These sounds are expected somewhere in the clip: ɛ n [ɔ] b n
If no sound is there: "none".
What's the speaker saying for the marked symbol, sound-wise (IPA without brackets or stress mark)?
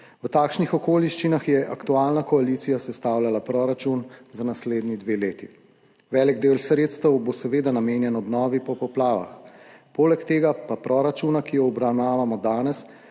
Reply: ɔ